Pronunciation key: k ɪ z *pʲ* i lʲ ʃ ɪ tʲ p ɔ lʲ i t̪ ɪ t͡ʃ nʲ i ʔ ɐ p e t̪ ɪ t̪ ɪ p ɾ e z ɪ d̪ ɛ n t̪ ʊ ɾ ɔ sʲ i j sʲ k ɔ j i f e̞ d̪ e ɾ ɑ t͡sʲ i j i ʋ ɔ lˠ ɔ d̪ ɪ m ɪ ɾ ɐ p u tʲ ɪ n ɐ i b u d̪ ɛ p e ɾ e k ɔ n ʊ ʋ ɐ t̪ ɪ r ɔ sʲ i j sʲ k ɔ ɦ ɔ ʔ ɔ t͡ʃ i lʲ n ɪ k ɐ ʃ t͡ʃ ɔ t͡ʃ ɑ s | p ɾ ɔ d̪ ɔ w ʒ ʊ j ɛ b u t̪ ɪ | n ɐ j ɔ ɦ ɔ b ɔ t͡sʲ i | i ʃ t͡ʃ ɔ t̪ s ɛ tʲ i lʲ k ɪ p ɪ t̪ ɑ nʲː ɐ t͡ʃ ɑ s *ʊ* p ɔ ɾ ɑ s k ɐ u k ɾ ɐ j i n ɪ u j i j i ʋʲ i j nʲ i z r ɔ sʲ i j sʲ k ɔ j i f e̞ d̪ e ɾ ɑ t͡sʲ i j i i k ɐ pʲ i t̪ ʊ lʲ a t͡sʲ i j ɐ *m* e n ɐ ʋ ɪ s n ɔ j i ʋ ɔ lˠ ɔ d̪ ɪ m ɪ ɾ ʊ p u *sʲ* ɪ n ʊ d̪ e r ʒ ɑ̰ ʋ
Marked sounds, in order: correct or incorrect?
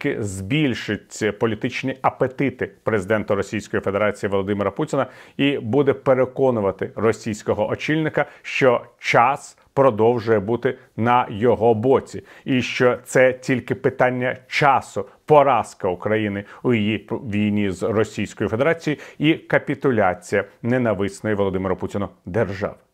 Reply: incorrect: bʲ, correct, incorrect: n, incorrect: tʲ

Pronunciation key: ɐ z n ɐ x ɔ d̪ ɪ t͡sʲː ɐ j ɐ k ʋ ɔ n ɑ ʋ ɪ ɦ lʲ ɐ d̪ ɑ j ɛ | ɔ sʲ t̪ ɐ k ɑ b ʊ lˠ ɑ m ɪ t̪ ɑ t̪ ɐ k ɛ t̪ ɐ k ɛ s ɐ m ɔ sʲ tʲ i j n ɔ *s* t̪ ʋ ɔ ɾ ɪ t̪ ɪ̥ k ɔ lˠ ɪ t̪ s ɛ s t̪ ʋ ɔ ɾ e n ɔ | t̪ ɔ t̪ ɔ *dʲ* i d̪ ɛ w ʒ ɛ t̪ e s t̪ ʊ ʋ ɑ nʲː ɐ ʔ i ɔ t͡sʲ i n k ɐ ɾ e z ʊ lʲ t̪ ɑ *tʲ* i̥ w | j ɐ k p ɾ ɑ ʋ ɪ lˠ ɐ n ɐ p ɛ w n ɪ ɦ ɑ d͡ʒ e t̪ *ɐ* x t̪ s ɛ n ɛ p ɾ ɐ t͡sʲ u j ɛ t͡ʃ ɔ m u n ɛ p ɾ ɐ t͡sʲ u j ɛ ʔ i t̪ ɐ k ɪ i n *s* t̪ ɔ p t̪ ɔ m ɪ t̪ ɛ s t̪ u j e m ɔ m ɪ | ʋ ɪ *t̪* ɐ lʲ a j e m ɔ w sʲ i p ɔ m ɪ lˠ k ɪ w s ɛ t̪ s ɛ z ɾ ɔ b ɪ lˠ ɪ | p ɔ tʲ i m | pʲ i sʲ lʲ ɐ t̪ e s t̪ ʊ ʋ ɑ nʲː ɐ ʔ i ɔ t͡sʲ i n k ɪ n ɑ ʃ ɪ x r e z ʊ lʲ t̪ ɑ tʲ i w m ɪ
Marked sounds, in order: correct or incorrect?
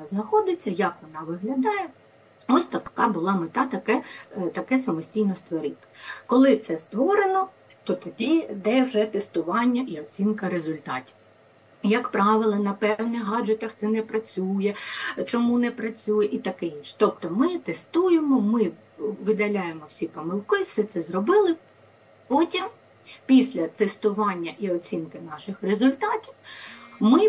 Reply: correct, correct, correct, correct, incorrect: ʃ, incorrect: d̪

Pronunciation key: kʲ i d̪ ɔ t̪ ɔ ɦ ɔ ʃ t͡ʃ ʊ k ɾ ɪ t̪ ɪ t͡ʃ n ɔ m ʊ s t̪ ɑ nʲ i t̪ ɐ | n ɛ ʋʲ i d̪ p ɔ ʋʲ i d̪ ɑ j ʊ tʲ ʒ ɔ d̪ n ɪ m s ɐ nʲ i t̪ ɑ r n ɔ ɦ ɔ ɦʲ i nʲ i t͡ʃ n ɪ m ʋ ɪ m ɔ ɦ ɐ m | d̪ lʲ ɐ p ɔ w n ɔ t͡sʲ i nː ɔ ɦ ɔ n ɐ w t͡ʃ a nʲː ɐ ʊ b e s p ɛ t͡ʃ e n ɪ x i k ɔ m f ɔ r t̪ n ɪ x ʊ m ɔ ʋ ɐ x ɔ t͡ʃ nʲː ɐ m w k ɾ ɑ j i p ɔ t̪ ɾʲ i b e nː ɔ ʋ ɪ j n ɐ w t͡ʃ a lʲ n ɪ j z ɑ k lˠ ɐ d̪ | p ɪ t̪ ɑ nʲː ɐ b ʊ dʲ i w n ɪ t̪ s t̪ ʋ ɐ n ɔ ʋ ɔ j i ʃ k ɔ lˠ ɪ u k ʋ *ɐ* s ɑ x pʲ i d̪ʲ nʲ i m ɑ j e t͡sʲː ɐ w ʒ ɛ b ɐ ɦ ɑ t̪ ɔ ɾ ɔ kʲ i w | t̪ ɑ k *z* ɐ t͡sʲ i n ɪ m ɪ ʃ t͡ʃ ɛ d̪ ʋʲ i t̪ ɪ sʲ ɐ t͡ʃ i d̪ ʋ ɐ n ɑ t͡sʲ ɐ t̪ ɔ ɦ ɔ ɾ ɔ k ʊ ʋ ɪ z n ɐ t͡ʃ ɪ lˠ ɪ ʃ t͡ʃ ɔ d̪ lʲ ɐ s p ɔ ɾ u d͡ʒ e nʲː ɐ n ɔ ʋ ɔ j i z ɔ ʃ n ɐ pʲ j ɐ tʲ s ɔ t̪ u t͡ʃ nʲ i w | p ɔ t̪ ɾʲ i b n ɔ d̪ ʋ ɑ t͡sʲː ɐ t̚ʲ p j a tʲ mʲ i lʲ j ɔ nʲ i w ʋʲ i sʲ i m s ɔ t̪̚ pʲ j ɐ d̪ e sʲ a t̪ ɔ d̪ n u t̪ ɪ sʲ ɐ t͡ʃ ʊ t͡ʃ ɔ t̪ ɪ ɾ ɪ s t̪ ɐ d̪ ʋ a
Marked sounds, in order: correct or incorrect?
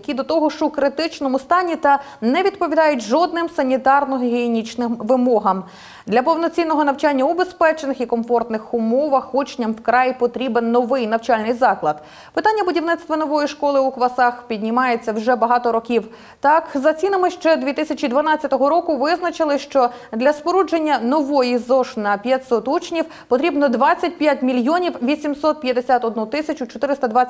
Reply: correct, correct

